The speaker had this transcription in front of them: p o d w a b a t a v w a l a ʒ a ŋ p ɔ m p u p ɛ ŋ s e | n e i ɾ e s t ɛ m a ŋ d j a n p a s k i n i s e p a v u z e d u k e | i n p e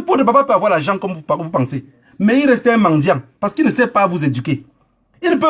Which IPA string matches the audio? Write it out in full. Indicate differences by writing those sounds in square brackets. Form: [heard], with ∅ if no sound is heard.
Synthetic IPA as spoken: p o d [b] a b a [p] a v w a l a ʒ a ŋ [k] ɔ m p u p [a] ŋ s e | [m] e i ɾ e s t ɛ m a ŋ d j a [ŋ] p a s k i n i s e p a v u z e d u k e | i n p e